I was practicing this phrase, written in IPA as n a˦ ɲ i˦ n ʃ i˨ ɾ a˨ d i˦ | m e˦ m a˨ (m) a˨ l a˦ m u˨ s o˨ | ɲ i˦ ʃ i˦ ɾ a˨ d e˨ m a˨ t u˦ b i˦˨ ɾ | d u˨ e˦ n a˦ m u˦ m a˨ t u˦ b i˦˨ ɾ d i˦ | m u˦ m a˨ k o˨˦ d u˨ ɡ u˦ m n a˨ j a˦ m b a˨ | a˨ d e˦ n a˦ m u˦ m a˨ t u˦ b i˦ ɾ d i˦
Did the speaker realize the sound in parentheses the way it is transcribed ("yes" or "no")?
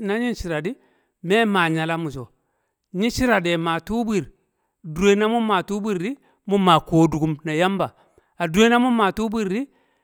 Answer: no